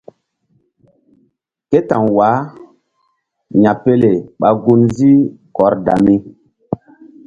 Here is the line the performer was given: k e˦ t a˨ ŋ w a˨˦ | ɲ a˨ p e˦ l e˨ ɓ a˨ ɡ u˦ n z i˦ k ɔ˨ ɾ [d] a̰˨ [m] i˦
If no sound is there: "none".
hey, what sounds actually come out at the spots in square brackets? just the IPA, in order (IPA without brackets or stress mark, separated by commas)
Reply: d, m